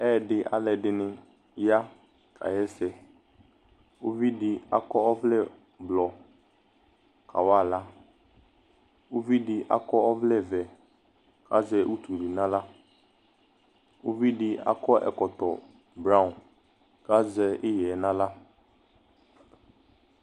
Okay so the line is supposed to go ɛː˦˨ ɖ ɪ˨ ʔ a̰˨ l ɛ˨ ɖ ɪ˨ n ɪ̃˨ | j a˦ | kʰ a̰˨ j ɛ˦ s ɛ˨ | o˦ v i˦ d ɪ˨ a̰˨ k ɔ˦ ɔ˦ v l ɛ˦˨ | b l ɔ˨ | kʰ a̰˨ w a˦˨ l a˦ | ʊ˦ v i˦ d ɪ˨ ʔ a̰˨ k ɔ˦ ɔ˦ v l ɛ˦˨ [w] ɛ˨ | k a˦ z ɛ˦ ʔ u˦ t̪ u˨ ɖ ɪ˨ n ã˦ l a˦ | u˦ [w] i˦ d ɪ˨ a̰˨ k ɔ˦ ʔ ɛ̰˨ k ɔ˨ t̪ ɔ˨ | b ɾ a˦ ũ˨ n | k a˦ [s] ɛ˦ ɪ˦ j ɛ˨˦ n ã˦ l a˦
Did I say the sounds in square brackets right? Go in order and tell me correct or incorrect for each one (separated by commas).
incorrect, incorrect, incorrect